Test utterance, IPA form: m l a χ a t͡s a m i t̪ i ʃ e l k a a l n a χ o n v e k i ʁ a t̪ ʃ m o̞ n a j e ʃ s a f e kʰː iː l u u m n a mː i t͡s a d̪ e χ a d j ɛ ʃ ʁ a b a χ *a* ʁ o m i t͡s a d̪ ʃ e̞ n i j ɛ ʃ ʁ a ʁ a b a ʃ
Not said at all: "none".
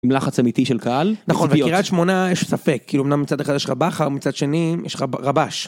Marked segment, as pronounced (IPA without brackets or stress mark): a